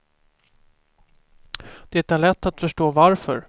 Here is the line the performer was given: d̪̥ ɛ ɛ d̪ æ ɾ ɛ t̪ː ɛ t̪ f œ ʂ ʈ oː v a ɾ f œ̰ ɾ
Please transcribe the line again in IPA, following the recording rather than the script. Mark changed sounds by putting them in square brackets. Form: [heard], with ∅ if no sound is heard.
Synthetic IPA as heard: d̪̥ ɛ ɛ [t̪] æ [ɭ] ɛ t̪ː [a] t̪ f œ ʂ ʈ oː v a ɾ f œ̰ ɾ